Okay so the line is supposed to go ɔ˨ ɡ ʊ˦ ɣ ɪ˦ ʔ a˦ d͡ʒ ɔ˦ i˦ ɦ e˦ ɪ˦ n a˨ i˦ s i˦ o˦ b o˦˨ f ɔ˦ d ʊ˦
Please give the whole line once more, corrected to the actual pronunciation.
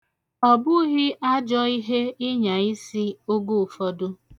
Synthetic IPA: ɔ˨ b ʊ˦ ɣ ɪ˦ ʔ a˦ d͡ʒ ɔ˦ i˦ ɦ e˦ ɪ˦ ɲ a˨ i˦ s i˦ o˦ ɡ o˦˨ f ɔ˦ d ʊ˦